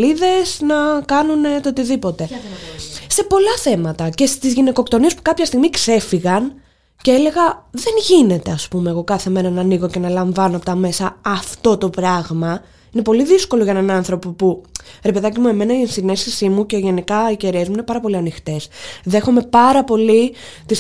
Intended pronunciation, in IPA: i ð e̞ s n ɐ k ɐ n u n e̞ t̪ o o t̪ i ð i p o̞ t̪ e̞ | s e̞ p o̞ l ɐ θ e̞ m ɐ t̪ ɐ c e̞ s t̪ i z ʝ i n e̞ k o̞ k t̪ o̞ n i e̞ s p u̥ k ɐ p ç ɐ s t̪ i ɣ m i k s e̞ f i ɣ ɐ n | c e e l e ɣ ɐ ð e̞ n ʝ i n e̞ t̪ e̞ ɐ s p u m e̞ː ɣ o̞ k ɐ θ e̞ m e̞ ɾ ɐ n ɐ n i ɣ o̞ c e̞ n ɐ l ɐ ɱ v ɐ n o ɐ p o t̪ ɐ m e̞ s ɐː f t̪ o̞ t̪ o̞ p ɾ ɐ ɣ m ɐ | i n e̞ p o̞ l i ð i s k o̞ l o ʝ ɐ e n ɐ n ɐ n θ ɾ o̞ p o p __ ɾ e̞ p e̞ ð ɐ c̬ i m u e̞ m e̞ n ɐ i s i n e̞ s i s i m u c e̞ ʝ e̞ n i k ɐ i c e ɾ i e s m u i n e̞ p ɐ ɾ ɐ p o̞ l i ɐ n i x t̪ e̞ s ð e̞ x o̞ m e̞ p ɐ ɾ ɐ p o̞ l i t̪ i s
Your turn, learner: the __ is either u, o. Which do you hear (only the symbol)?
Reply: u